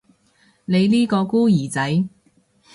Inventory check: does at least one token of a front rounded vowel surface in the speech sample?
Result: no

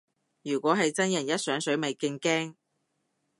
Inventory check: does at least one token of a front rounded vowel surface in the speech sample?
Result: yes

